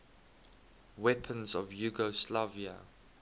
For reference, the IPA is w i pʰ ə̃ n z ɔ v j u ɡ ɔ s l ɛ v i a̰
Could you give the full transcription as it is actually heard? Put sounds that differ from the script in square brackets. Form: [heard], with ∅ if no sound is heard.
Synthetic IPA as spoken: w [ɛ] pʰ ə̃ n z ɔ v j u ɡ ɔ s l [a] v i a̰